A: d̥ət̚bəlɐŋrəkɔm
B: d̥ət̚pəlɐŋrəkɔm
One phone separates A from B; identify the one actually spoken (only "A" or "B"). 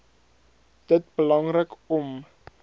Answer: A